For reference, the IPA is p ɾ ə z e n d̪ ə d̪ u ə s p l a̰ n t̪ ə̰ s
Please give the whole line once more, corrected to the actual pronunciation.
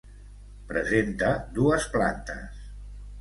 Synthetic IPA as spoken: p ɾ ə z e n t̪ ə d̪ u ə s p l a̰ n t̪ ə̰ s